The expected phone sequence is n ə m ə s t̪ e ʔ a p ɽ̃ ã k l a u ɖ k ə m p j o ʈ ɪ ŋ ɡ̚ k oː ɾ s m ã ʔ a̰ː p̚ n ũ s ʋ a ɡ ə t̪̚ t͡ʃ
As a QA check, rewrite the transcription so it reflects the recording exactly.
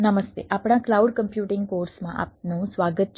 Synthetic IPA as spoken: n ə m ə s t̪ e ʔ a p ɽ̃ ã k l a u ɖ k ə m p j u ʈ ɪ ŋ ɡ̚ k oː ɾ s m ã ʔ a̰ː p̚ n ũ s ʋ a ɡ ə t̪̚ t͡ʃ